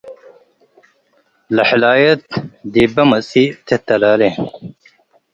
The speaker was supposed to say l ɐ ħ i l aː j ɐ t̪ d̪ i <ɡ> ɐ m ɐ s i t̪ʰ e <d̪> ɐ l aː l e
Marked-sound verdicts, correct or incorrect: incorrect: b, incorrect: t̪

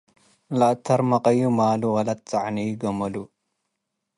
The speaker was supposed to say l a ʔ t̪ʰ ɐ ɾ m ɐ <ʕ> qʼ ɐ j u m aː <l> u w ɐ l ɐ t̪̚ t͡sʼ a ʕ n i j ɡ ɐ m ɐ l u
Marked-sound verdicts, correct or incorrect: incorrect: none, correct

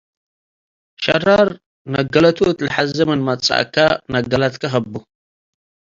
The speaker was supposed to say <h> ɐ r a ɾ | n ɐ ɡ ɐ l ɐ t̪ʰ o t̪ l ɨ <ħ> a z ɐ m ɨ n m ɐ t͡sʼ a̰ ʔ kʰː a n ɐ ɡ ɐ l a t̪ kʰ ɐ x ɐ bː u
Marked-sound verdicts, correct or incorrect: incorrect: ʃ, correct

